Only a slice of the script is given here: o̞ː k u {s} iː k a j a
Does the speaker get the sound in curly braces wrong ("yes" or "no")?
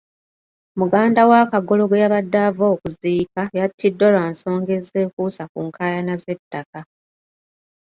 yes